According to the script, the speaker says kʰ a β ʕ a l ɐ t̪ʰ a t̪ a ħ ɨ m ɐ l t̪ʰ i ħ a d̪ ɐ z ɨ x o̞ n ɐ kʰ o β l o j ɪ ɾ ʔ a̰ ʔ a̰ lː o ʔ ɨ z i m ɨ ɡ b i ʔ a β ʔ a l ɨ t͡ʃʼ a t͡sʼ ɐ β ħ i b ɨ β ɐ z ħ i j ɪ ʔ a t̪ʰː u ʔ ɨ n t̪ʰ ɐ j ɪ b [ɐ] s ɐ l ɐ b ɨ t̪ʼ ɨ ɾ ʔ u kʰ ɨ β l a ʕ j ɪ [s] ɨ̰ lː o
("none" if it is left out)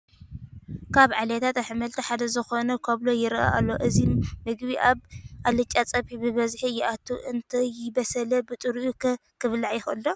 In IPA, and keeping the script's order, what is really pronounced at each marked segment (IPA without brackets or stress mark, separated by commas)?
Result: ɐ, x